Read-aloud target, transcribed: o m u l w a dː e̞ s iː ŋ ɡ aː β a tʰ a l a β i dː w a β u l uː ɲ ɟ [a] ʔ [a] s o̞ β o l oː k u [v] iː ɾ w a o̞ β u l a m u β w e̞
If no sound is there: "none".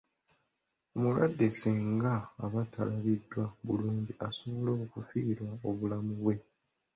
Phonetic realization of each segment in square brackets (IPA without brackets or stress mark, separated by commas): i, a, f